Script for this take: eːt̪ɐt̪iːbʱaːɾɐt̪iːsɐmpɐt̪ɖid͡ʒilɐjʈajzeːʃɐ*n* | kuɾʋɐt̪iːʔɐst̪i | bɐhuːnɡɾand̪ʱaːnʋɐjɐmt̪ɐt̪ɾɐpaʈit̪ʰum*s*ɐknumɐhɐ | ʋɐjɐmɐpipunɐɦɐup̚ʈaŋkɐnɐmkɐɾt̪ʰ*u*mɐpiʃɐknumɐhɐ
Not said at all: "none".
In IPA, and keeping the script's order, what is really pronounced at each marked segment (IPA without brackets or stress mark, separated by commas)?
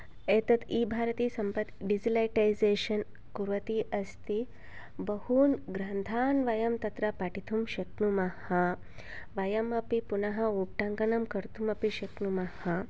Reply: n, ʃ, u